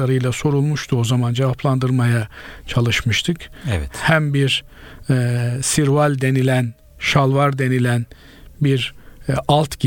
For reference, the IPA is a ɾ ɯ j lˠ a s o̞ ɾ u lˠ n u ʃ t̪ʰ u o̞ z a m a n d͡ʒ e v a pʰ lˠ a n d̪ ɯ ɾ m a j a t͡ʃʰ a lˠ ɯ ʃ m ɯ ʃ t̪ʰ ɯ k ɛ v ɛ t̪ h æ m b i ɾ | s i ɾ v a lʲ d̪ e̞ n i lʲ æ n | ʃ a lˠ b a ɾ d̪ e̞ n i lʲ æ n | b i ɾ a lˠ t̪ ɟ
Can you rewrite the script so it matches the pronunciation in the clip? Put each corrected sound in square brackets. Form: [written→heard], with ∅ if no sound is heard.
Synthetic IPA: a ɾ ɯ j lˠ a s o̞ ɾ u lˠ [n→m] u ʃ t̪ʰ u o̞ z a m a n d͡ʒ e v a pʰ lˠ a n d̪ ɯ ɾ m a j a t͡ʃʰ a lˠ ɯ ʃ m ɯ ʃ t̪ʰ ɯ k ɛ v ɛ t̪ h æ m b i ɾ | s i ɾ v a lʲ d̪ e̞ n i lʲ æ n | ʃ a lˠ [b→v] a ɾ d̪ e̞ n i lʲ æ n | b i ɾ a lˠ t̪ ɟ